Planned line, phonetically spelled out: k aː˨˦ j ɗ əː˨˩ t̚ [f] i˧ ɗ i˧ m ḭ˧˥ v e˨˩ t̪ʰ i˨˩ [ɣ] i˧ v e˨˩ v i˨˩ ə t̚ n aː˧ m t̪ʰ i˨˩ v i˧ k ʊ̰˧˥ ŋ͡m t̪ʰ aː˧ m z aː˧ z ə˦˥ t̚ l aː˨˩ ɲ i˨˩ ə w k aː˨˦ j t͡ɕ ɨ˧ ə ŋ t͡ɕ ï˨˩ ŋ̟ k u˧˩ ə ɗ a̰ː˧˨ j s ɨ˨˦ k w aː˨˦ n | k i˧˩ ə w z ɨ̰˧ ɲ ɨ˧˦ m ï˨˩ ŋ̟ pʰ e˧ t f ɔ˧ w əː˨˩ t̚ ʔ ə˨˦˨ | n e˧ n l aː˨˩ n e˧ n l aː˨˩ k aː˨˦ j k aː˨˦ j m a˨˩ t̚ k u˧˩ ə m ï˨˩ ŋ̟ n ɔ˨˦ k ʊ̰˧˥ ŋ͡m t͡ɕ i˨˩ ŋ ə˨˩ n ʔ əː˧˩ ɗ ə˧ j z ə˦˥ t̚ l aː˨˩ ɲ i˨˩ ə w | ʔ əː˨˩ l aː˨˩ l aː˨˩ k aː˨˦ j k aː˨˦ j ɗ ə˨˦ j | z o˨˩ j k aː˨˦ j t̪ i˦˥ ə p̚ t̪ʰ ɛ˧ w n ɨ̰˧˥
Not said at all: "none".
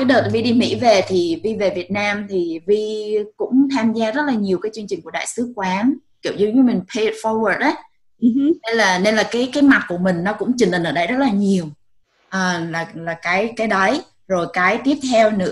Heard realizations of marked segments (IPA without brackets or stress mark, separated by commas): v, v